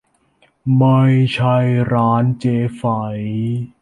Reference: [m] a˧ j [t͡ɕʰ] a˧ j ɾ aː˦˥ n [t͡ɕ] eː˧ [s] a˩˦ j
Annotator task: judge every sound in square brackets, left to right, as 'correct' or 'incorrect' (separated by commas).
correct, correct, correct, incorrect